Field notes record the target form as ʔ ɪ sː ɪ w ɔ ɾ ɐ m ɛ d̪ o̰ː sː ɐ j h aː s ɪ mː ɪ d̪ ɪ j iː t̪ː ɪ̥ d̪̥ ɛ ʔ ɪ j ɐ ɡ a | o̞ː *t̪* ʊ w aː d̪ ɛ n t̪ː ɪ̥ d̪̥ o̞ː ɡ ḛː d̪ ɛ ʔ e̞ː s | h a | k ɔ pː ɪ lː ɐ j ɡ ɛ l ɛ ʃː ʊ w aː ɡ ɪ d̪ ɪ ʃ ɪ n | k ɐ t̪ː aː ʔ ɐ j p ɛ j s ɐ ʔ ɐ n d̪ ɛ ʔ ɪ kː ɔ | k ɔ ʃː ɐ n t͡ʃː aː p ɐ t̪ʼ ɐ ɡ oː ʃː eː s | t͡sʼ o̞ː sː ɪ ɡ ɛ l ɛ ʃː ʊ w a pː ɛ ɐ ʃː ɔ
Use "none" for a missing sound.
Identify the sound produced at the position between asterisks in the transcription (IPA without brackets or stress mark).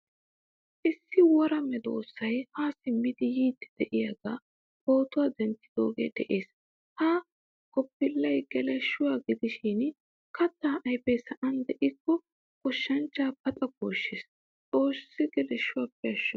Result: t̪